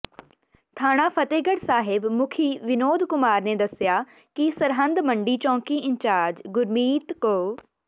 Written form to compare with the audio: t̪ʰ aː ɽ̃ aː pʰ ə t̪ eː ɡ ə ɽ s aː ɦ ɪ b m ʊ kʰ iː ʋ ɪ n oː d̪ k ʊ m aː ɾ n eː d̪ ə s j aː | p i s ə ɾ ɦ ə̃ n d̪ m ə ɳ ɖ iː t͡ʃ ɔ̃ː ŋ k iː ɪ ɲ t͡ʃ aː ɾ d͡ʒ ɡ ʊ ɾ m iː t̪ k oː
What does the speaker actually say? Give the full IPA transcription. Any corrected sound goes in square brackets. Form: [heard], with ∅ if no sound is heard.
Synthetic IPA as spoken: t̪ʰ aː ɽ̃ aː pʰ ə t̪ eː ɡ ə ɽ s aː ɦ ɪ b m ʊ kʰ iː ʋ ɪ n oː d̪ k ʊ m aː ɾ n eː d̪ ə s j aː | [k] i s ə ɾ ɦ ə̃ n d̪ m ə ɳ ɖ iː t͡ʃ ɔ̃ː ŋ k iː ɪ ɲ t͡ʃ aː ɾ d͡ʒ ɡ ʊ ɾ m iː t̪ k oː